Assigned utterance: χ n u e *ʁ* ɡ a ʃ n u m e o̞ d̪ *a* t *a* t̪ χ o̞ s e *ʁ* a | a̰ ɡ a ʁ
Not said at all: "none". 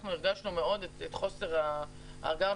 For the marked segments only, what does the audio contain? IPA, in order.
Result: ʁ, e, e, ʁ

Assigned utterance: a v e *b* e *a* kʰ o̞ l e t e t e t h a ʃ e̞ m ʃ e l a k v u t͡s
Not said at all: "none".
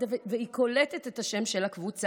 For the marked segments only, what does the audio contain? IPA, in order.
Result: v, i

